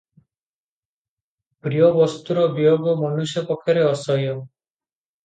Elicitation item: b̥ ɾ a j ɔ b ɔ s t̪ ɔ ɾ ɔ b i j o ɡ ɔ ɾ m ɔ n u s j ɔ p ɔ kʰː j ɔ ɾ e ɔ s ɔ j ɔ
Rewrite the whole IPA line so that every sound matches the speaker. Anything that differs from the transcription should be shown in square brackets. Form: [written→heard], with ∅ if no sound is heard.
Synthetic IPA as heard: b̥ ɾ [a→i] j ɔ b ɔ s t̪ [ɔ→u] ɾ ɔ b i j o ɡ ɔ [ɾ→∅] m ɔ n u s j ɔ p ɔ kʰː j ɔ ɾ e ɔ s ɔ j ɔ